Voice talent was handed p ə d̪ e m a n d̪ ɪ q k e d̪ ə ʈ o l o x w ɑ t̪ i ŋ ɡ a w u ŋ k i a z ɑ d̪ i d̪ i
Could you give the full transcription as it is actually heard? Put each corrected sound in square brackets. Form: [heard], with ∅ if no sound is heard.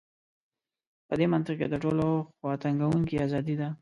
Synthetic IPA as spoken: p ə d̪ e m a n [t̪] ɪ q k e d̪ ə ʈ o l o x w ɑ t̪ [a] ŋ ɡ a w u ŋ k i a z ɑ d̪ i d̪ [a]